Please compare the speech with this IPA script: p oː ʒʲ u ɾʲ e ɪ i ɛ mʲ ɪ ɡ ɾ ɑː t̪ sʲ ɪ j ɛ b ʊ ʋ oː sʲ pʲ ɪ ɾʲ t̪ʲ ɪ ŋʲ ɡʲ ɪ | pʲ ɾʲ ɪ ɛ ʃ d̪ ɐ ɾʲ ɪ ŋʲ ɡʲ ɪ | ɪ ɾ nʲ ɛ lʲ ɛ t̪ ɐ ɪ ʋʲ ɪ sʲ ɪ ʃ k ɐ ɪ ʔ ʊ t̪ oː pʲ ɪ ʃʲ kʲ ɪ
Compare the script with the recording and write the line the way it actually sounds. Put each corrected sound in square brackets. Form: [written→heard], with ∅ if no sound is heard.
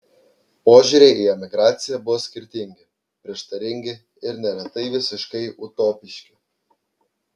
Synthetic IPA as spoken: p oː ʒʲ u ɾʲ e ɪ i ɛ mʲ ɪ ɡ ɾ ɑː t̪ sʲ ɪ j ɛ b ʊ ʋ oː sʲ [pʲ→kʲ] ɪ ɾʲ t̪ʲ ɪ ŋʲ ɡʲ ɪ | pʲ ɾʲ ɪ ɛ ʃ [d̪→t̪] ɐ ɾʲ ɪ ŋʲ ɡʲ ɪ | ɪ ɾ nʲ ɛ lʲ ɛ t̪ ɐ ɪ ʋʲ ɪ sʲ ɪ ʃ k ɐ ɪ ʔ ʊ t̪ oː pʲ ɪ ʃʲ kʲ ɪ